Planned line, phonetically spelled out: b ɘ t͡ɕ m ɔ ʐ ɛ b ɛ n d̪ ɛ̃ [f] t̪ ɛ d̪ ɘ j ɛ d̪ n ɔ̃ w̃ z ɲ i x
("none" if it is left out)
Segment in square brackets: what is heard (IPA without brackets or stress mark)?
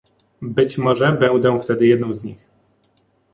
f